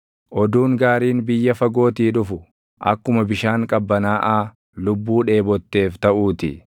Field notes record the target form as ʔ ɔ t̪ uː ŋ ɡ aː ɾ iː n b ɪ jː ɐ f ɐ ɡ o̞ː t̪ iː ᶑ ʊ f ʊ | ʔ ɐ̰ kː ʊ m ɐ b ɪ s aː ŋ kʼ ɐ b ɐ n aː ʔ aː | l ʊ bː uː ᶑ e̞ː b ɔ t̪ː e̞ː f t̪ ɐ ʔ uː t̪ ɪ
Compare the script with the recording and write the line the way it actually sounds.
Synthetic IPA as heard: ʔ ɔ d̪ uː ŋ ɡ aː ɾ iː n b ɪ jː ɐ f ɐ ɡ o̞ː t̪ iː ᶑ ʊ f ʊ | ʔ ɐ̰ kː ʊ m ɐ b ɪ ʃ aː ŋ kʼ ɐ bː ɐ n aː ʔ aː | l ʊ bː uː ᶑ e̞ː b ɔ t̪ː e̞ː f t̪ ɐ ʔ uː t̪ ɪ

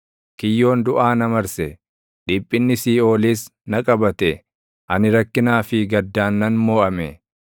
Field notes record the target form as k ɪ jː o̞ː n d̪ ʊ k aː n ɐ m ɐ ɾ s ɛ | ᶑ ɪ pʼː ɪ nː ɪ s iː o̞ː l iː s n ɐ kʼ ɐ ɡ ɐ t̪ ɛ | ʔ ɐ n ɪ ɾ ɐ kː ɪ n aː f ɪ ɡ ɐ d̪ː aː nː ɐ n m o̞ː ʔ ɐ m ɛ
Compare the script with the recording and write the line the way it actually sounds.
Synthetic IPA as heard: k ɪ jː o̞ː n d̪ ʊ ʔ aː n ɐ m ɐ ɾ s ɛ | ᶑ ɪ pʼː ɪ nː ɪ s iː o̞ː l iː s n ɐ kʼ ɐ b ɐ t̪ ɛ | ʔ ɐ n ɪ ɾ ɐ kː ɪ n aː f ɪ ɡ ɐ d̪ː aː nː ɐ n m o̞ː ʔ ɐ m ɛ

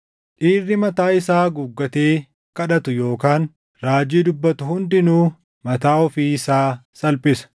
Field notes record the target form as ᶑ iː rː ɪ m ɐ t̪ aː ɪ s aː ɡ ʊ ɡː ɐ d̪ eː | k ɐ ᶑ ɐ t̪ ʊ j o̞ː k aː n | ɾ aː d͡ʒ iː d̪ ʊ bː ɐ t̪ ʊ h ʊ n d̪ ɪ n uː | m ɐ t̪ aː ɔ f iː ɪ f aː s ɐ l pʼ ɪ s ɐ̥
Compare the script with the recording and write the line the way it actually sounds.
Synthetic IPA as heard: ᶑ iː rː ɪ m ɐ t̪ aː ɪ s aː ɡ ʊ ɡː ɐ t̪ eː | k ɐ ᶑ ɐ t̪ ʊ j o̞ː k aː n | ɾ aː d͡ʒ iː d̪ ʊ bː ɐ t̪ ʊ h ʊ n d̪ ɪ n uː | m ɐ t̪ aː ɔ f iː ɪ s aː s ɐ l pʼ ɪ s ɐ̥

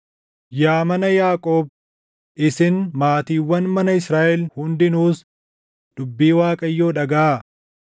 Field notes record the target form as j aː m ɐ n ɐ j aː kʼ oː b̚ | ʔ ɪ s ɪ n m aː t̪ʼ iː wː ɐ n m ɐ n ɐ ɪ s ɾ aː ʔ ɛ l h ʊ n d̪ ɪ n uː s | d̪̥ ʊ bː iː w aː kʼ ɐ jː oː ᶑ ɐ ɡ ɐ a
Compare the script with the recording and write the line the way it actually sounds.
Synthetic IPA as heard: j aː m ɐ n ɐ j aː kʼ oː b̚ | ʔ ɪ s ɪ n m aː t̪ iː wː ɐ n m ɐ n ɐ ɪ s ɾ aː ʔ ɛ l h ʊ n d̪ ɪ n uː s | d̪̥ ʊ bː iː w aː kʼ ɐ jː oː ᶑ ɐ ɡ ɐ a

